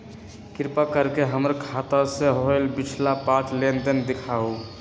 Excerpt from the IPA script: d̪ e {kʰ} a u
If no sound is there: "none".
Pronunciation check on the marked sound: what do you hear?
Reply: kʰ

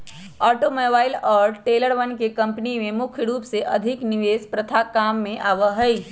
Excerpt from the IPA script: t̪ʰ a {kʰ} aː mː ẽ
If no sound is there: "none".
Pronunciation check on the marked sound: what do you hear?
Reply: k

